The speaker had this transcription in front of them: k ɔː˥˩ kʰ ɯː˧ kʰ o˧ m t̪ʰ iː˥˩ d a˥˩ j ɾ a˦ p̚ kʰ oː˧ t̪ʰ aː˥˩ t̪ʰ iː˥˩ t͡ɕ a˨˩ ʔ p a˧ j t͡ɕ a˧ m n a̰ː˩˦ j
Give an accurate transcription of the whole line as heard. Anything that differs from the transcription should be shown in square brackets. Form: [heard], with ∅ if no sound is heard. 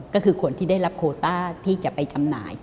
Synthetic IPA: k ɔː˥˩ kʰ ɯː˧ kʰ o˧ [n] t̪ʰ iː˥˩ d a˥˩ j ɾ a˦ p̚ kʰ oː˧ [t̪] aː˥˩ t̪ʰ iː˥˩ t͡ɕ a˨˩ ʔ p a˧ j t͡ɕ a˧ m n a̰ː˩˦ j